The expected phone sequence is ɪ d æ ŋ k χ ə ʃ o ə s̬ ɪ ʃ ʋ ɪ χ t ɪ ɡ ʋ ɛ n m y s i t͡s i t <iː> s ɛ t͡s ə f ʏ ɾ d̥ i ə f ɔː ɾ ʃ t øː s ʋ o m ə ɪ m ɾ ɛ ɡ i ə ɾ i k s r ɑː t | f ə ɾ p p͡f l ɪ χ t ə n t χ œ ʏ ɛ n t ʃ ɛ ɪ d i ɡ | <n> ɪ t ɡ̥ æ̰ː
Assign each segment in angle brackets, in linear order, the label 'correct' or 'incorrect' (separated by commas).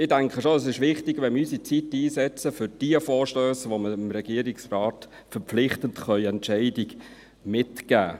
correct, incorrect